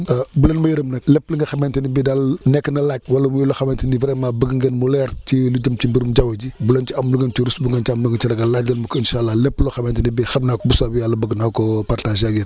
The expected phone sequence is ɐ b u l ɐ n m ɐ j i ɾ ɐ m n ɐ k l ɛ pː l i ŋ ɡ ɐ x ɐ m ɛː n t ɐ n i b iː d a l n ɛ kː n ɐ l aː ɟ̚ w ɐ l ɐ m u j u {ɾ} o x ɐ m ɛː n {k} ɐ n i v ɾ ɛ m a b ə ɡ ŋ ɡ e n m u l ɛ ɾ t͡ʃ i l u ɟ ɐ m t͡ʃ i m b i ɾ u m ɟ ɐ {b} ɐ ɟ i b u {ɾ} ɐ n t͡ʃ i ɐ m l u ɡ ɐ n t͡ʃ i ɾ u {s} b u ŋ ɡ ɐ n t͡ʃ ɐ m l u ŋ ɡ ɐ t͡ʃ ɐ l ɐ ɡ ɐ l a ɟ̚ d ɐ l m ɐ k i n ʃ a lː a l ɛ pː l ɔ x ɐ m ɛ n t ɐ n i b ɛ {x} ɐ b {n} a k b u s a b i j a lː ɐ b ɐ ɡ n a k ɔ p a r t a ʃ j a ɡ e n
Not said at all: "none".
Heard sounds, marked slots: l, t, w, l, s, x, n

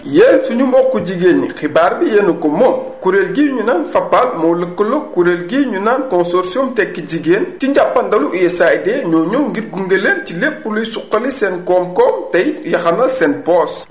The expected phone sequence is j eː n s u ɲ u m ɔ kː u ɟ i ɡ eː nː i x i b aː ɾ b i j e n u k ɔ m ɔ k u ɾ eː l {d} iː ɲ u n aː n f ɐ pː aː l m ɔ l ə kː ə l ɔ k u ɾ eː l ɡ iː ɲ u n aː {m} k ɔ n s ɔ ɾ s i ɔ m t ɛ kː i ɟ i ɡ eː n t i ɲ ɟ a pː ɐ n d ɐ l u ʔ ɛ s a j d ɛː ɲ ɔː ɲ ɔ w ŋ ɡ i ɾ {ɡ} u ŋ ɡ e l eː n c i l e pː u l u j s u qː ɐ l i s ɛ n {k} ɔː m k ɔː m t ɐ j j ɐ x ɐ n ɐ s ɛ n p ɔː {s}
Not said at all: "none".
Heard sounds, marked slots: ɡ, n, ɡ, k, s

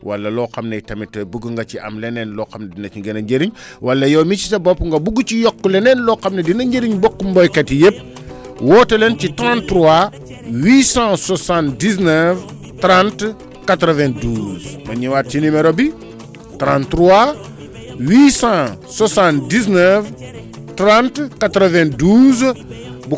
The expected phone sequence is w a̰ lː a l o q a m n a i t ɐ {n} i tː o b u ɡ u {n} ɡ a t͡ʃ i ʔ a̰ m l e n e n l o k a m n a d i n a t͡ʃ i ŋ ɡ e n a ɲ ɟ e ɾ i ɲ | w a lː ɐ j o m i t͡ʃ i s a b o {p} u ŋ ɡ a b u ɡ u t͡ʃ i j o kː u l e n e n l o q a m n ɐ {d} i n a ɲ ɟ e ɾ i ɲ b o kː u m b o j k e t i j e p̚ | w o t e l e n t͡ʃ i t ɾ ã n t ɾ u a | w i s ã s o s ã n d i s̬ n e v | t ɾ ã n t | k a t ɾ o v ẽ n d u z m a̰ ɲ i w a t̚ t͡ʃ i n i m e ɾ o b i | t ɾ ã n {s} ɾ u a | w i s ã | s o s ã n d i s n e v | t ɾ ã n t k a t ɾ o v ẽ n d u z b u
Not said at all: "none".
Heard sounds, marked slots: m, ŋ, p, d, t

